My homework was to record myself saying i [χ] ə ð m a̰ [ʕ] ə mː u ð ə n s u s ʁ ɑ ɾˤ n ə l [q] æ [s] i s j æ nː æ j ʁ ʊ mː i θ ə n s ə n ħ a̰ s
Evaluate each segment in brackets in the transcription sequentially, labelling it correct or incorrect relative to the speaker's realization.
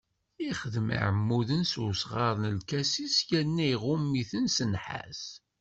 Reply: correct, correct, incorrect, correct

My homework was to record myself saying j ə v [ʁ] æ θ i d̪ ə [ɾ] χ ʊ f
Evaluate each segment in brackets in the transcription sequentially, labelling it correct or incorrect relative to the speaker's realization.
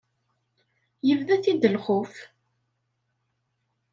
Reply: incorrect, incorrect

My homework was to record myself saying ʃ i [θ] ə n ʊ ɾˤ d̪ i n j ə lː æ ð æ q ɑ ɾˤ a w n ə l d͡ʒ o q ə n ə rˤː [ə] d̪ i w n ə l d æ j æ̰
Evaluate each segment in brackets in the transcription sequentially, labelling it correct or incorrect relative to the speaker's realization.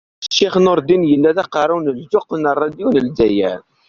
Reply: incorrect, incorrect

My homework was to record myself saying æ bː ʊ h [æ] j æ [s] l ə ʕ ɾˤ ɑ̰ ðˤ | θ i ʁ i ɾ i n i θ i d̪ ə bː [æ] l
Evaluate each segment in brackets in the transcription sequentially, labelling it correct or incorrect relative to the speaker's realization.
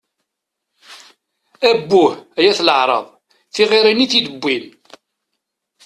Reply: correct, incorrect, incorrect

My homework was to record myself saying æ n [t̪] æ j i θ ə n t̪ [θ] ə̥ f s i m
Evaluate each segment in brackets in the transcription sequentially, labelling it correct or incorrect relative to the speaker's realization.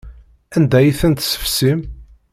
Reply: incorrect, incorrect

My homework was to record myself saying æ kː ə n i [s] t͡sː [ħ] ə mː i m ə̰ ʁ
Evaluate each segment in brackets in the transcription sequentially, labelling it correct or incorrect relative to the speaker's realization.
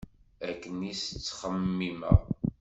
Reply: correct, incorrect

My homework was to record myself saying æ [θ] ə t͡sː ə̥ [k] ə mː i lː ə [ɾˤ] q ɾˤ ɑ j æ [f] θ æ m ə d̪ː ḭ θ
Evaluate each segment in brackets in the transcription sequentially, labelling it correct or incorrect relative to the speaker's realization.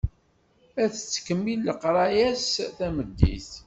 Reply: correct, correct, incorrect, incorrect

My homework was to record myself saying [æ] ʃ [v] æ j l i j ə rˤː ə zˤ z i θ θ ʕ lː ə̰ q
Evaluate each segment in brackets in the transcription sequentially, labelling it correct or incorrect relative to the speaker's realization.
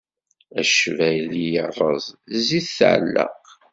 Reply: correct, correct

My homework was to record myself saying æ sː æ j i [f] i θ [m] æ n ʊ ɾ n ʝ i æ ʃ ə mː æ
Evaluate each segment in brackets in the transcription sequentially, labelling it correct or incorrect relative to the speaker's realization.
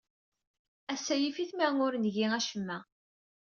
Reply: correct, correct

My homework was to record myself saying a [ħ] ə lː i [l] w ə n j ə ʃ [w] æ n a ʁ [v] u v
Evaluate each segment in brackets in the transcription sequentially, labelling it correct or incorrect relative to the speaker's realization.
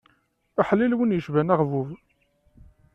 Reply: correct, correct, incorrect, correct

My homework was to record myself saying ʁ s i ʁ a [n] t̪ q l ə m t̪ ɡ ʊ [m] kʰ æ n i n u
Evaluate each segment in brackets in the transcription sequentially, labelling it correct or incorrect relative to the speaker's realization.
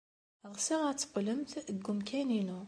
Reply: incorrect, correct

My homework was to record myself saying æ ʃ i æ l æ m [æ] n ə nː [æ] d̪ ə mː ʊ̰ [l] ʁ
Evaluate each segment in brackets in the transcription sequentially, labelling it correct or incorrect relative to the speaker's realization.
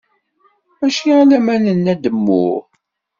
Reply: correct, correct, incorrect

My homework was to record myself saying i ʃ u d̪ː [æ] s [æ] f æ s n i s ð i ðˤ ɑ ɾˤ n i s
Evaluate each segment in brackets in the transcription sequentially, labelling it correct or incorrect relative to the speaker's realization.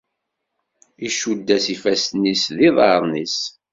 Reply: correct, incorrect

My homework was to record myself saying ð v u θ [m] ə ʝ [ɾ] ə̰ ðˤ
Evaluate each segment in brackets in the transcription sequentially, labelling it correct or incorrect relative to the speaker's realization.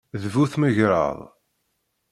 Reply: correct, correct

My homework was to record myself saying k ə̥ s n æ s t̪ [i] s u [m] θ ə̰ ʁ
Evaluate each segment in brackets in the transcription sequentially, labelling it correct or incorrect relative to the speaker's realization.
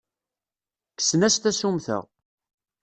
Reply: incorrect, correct

